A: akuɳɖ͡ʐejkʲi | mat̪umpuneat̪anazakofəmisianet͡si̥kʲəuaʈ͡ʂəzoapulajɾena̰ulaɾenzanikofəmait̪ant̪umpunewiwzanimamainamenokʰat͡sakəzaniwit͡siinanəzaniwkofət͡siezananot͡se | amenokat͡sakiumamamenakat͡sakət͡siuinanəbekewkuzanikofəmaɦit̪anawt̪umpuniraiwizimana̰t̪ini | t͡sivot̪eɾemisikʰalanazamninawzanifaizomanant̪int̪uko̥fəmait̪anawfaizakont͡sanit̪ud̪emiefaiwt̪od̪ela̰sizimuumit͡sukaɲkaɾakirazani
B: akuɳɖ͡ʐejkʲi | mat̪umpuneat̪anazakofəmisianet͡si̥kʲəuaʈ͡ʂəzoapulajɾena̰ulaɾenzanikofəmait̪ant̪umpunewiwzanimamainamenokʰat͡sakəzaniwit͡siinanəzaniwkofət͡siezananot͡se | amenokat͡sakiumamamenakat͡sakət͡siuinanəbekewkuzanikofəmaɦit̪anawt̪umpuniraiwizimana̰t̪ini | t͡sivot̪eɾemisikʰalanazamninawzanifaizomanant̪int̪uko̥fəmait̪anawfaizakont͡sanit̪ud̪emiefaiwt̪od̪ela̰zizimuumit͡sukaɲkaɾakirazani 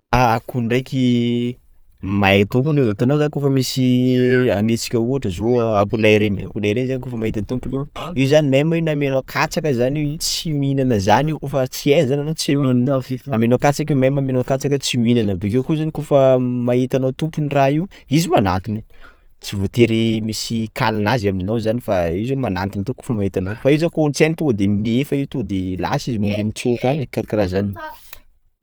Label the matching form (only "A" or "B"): A